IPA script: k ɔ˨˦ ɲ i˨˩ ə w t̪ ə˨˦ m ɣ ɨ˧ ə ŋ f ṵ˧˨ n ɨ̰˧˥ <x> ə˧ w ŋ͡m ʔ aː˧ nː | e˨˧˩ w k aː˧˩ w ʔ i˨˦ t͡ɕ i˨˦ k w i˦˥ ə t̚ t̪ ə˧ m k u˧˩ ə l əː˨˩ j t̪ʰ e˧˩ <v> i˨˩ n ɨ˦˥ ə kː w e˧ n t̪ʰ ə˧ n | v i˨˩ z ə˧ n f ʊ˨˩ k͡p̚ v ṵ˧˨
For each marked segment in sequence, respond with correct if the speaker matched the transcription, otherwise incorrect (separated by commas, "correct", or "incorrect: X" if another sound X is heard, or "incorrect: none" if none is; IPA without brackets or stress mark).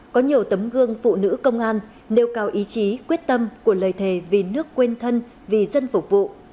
incorrect: k, correct